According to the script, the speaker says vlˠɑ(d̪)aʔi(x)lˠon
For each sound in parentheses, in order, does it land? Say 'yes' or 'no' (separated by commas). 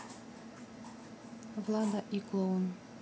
yes, no